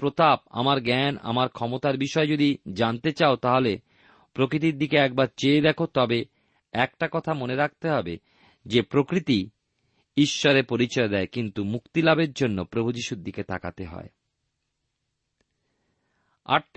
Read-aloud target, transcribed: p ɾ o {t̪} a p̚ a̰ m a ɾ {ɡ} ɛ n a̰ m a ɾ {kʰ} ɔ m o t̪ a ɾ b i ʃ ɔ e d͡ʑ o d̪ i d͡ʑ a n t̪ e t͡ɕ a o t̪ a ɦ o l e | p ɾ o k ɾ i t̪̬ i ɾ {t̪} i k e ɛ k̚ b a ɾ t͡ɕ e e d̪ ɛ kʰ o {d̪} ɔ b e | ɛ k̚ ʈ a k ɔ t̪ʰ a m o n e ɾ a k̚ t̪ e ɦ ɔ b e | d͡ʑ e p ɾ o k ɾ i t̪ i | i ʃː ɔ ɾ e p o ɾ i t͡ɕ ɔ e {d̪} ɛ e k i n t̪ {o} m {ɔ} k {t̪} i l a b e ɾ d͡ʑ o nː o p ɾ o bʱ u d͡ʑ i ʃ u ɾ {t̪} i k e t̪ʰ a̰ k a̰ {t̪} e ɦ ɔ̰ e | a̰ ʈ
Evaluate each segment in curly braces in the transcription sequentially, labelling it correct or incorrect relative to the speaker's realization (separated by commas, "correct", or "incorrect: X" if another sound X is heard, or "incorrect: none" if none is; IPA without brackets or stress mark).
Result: correct, correct, correct, incorrect: d̪, incorrect: t̪, correct, incorrect: u, incorrect: u, correct, incorrect: d̪, correct